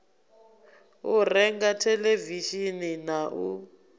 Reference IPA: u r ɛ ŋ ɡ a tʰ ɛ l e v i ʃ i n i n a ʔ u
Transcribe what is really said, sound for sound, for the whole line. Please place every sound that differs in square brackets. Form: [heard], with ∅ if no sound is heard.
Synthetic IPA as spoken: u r ɛ ŋ ɡ a tʰ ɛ l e v i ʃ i n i n a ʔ u